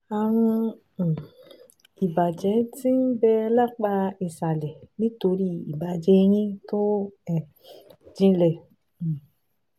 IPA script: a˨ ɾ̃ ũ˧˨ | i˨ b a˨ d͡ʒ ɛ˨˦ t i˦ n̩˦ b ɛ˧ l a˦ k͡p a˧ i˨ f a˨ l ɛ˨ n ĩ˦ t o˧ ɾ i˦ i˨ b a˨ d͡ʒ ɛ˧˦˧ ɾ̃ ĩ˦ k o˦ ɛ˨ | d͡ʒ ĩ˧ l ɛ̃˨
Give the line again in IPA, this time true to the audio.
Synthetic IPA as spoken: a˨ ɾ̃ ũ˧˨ | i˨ b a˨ d͡ʒ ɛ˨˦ t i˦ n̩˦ b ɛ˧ l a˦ k͡p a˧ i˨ s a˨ l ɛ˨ n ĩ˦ t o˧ ɾ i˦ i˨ b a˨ d͡ʒ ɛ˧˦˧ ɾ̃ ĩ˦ t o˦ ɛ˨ | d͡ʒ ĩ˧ l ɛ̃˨